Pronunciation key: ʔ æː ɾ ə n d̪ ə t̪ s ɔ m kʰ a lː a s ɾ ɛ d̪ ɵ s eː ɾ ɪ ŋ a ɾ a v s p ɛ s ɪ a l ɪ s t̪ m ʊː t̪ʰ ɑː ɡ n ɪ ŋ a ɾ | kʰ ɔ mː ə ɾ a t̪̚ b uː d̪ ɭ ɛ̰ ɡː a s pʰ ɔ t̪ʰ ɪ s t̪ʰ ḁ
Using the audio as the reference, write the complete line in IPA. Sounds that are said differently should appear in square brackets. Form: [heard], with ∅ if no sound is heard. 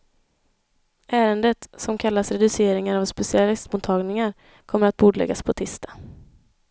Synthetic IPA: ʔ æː ɾ ə n d̪ ə t̪ s ɔ m kʰ a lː a s ɾ ɛ d̪ ɵ s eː ɾ ɪ ŋ a ɾ a v s p ɛ s ɪ a l ɪ s t̪ m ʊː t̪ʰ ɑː ɡ n ɪ ŋ a ɾ | kʰ ɔ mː ə ɾ a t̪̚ b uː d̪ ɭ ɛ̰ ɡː a s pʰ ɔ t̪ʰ ɪ s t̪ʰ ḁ

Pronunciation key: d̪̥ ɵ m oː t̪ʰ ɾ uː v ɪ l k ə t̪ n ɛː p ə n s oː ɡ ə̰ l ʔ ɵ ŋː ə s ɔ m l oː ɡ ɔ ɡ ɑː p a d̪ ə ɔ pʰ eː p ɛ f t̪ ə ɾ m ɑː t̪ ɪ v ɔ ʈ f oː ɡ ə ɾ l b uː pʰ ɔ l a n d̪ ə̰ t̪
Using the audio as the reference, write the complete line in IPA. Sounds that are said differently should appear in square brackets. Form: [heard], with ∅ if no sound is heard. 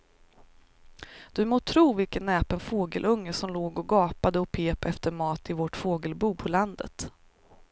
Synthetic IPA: d̪̥ ɵ m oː t̪ʰ ɾ uː v ɪ l k ə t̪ n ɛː p ə n [f] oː ɡ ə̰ l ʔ ɵ ŋː ə s ɔ m l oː ɡ ɔ ɡ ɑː p a d̪ ə ɔ pʰ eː p ɛ f t̪ ə ɾ m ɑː t̪ ɪ v ɔ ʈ f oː ɡ ə [∅] l b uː pʰ ɔ l a n d̪ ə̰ t̪

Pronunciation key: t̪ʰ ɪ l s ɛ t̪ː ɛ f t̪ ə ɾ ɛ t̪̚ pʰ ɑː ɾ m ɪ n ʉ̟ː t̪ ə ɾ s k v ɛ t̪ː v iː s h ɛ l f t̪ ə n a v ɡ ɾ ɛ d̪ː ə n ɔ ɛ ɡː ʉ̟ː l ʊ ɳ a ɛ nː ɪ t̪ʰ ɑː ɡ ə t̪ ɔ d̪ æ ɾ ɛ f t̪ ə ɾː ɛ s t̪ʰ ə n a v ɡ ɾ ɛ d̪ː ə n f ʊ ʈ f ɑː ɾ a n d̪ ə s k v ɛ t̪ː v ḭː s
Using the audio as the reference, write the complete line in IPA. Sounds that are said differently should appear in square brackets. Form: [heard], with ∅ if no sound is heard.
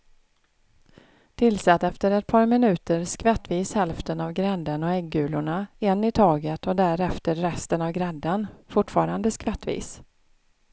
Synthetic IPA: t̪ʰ ɪ l s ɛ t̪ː ɛ f t̪ ə ɾ ɛ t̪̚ pʰ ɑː ɾ m ɪ n ʉ̟ː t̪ ə ɾ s k v ɛ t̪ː v iː s h ɛ l f t̪ ə n a v ɡ ɾ ɛ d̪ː ə n ɔ ɛ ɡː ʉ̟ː l ʊ ɳ a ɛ nː ɪ t̪ʰ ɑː ɡ ə t̪ ɔ d̪ æ ɾ ɛ f t̪ ə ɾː ɛ s [t̪] ə n a v ɡ ɾ ɛ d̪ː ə n f ʊ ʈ f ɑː ɾ a n d̪ ə s k v ɛ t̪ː v ḭː s

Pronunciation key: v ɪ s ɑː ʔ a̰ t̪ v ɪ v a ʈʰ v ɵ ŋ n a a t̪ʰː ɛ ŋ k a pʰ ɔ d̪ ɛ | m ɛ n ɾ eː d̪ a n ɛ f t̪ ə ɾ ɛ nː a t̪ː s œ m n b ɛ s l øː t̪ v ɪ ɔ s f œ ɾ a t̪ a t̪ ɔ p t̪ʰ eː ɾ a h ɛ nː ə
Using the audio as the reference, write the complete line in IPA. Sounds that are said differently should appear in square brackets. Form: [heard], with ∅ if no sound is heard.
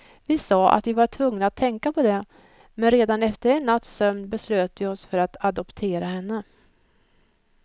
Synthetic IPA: v ɪ s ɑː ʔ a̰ t̪ v ɪ v a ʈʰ v ɵ ŋ n a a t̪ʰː ɛ ŋ k a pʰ ɔ d̪ ɛ | m ɛ n ɾ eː d̪ a n ɛ f t̪ ə ɾ ɛ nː a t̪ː s œ m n b ɛ s l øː t̪ v ɪ ɔ s f œ ɾ a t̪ a [d̪] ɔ p t̪ʰ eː ɾ a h ɛ nː ə

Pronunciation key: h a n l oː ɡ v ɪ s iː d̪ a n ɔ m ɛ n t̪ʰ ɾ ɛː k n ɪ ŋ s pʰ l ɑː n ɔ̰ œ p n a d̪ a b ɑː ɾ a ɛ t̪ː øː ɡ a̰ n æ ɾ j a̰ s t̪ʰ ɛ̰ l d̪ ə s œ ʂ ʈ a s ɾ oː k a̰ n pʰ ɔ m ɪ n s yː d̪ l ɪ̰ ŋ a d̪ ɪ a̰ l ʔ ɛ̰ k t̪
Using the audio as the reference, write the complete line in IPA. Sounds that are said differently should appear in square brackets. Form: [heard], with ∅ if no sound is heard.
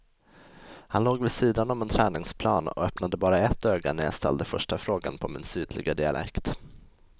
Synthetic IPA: h a n l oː ɡ v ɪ s iː d̪ a n ɔ m ɛ n t̪ʰ ɾ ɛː [∅] n ɪ ŋ s pʰ l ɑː n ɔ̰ œ p n a d̪ [ə] b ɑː ɾ a ɛ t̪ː øː ɡ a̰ n æ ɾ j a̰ s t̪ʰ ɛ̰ l d̪ ə [f] œ ʂ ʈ a [f] ɾ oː [ɡ] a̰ n pʰ ɔ m ɪ n s yː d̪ l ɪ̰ [ɡ] a d̪ ɪ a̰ l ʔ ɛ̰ k t̪

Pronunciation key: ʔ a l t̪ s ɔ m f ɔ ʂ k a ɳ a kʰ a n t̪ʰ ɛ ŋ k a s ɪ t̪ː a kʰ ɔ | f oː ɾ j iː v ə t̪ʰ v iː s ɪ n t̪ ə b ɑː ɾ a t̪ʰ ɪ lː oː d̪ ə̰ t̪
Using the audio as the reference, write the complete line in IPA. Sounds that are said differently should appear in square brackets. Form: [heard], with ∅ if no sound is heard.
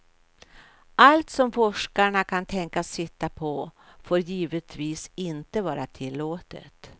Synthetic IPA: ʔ a l t̪ s ɔ m f ɔ ʂ k a ɳ a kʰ a n t̪ʰ ɛ ŋ k a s ɪ t̪ː a [pʰ] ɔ | f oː ɾ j iː v ə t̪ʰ v iː s ɪ n t̪ ə [v] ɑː ɾ a t̪ʰ ɪ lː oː [t̪] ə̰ t̪

